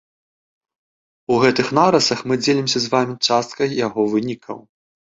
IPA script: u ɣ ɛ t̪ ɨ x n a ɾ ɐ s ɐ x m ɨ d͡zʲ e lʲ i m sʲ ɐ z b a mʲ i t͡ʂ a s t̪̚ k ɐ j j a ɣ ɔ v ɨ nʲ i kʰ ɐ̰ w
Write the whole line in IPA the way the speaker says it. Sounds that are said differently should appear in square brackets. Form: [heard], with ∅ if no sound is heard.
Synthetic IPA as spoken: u ɣ ɛ t̪ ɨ x n a ɾ ɐ s ɐ x m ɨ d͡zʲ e lʲ i m sʲ ɐ z [v] a mʲ i t͡ʂ a s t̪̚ k ɐ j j a ɣ ɔ v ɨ nʲ i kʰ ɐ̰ w